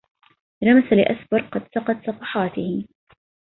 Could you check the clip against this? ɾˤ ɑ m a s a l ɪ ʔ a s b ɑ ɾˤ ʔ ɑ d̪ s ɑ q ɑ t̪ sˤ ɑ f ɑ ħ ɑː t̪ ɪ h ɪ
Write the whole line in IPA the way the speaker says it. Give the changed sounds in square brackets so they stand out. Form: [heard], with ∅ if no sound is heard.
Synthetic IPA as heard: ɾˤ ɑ m a s a l ɪ ʔ a s b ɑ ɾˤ [q] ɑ d̪ s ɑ q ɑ t̪ sˤ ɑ f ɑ ħ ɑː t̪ ɪ h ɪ